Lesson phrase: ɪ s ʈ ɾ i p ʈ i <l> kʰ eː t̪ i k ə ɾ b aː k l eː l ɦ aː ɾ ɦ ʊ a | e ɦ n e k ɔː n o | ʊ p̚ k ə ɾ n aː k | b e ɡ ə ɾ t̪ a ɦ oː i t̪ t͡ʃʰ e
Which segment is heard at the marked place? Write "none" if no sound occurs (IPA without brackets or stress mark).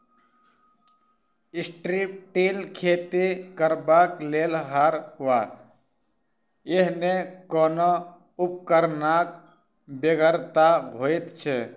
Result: l